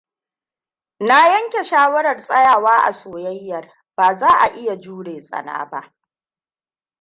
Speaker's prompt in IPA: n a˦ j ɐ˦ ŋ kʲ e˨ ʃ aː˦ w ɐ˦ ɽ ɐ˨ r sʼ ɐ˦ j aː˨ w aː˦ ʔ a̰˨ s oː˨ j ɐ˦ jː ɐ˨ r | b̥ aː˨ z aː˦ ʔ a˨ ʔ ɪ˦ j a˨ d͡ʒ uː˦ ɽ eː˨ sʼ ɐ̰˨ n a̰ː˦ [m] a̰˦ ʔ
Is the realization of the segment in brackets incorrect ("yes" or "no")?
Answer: yes